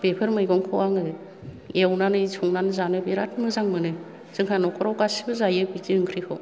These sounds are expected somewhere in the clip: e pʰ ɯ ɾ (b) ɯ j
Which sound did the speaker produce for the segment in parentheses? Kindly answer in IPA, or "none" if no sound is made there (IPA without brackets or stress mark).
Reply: m